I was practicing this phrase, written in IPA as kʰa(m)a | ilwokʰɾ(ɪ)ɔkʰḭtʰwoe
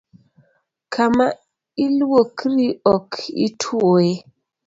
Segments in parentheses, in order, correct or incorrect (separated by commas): correct, incorrect